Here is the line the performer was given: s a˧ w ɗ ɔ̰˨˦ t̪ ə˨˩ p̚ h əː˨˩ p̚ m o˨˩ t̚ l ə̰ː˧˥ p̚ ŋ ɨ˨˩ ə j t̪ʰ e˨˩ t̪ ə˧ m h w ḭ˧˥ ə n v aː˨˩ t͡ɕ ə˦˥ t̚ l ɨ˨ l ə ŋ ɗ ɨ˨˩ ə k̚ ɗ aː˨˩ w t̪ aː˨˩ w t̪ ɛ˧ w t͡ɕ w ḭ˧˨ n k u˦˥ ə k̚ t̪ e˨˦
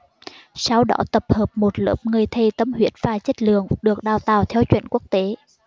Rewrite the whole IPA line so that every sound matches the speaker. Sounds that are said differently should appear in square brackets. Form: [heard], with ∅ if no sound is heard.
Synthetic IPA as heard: s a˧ w ɗ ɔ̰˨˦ t̪ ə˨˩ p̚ h əː˨˩ p̚ m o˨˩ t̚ l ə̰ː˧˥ p̚ ŋ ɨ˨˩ ə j t̪ʰ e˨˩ t̪ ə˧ m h w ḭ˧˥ ə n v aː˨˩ t͡ɕ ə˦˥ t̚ l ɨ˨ [∅] ə ŋ ɗ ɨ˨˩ ə k̚ ɗ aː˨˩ w t̪ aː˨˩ w [t̪ʰ] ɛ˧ w t͡ɕ w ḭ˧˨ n k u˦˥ ə k̚ t̪ e˨˦